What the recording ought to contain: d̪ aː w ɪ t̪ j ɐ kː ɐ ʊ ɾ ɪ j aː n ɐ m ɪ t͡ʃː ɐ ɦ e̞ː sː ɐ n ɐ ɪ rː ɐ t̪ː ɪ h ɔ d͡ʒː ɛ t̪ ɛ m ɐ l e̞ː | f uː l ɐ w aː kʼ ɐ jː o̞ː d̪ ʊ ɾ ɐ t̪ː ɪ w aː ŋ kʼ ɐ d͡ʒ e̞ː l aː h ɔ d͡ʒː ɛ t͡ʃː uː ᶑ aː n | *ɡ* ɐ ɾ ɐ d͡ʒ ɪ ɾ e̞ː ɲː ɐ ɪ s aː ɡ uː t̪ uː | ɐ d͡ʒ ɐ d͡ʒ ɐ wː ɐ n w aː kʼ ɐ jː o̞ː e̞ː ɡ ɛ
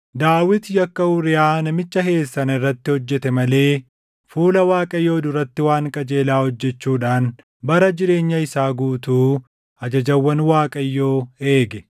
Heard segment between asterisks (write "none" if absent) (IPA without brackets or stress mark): b